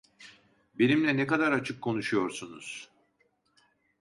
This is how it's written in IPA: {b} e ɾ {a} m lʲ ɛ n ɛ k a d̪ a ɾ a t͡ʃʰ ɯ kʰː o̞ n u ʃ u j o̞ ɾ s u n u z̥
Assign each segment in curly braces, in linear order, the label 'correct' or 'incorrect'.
correct, incorrect

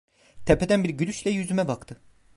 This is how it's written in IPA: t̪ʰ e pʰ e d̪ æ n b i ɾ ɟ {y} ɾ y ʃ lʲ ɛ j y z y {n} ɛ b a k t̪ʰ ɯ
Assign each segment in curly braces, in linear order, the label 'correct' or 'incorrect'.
correct, incorrect

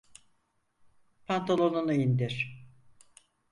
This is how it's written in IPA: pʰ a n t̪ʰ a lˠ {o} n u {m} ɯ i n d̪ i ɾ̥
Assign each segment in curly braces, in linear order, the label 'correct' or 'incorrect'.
correct, incorrect

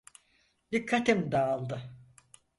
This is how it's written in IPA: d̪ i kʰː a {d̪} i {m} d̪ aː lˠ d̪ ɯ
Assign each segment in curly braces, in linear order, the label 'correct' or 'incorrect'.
incorrect, correct

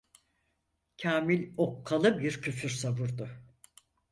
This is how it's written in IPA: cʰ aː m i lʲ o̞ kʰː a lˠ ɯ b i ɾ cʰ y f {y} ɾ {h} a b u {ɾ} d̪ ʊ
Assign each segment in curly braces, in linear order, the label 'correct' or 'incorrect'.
correct, incorrect, correct

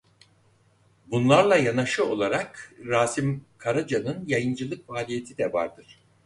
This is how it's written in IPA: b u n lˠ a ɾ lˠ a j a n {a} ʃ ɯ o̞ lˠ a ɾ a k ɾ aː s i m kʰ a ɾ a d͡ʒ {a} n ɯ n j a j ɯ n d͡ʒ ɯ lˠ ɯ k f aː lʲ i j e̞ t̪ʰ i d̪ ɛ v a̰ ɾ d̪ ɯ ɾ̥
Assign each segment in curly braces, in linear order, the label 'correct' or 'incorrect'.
correct, correct

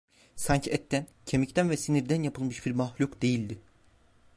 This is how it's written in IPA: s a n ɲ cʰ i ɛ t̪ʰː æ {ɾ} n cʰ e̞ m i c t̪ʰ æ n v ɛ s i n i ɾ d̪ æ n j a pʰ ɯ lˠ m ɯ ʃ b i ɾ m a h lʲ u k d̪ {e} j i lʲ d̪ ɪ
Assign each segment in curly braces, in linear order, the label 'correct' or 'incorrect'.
incorrect, correct

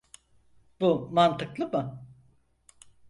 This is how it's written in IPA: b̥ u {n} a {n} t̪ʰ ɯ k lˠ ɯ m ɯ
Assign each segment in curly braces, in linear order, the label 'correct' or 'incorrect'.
incorrect, correct

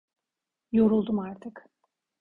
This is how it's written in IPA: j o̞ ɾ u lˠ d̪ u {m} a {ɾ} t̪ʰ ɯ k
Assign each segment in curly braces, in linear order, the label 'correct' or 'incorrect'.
correct, correct

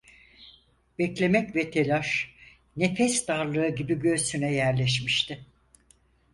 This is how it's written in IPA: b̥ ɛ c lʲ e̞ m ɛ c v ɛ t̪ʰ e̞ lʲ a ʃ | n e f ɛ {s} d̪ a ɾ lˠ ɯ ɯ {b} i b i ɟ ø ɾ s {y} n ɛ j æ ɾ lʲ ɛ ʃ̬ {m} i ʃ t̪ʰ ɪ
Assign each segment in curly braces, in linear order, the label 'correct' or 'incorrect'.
correct, incorrect, correct, correct

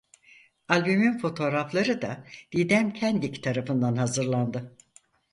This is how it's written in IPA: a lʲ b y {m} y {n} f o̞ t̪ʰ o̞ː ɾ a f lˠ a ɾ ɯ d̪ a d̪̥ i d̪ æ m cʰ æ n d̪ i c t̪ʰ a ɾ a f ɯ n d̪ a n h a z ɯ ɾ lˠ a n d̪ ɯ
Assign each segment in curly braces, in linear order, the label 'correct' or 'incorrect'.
correct, correct

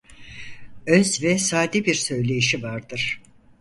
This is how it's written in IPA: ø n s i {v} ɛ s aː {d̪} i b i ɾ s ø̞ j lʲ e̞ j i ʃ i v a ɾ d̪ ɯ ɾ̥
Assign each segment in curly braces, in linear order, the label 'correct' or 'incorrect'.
correct, correct

